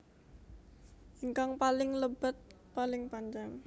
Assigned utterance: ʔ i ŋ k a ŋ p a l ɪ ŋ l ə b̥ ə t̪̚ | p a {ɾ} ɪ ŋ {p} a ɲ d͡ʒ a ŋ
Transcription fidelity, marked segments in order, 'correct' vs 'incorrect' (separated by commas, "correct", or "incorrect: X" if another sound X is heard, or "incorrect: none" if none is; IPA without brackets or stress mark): incorrect: l, correct